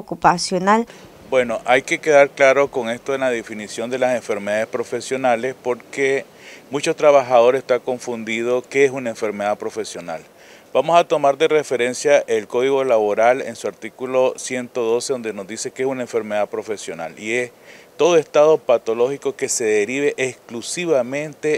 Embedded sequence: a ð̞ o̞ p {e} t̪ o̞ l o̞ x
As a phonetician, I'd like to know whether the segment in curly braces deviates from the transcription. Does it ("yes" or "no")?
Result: yes